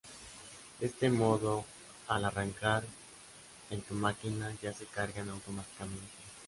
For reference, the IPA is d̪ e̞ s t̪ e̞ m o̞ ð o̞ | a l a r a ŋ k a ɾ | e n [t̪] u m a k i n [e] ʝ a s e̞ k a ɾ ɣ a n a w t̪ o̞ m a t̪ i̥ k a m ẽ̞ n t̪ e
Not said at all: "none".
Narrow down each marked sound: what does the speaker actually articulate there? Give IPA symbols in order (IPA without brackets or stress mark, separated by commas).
t̪, a